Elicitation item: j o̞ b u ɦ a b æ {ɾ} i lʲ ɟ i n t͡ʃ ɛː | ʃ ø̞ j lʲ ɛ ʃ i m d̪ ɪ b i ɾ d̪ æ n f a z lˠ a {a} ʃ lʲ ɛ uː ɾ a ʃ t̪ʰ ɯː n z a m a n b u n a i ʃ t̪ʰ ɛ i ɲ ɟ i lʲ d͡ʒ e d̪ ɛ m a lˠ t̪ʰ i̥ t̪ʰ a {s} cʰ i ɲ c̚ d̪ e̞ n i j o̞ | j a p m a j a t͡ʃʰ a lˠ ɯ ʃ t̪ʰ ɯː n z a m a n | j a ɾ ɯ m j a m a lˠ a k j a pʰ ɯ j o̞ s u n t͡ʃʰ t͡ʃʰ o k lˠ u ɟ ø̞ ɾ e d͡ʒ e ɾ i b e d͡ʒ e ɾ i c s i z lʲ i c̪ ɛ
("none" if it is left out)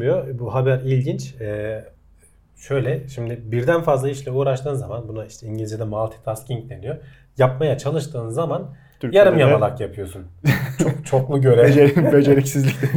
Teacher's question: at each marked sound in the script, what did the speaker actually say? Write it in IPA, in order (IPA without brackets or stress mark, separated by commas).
ɾ, i, s